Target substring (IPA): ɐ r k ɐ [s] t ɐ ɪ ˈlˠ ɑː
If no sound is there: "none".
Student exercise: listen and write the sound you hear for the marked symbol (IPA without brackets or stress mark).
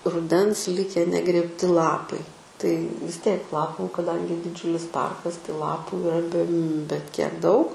s